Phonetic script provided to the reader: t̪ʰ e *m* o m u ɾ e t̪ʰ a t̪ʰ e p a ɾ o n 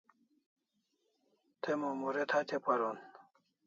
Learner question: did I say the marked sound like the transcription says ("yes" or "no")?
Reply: yes